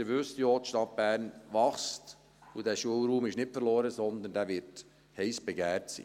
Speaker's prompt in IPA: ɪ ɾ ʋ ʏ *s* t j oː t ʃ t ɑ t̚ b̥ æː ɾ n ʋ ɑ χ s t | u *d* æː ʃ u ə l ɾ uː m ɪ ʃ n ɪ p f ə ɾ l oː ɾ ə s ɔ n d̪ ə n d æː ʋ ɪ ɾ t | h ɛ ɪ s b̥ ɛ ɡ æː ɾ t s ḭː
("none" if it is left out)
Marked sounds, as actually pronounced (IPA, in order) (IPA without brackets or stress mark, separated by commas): s, d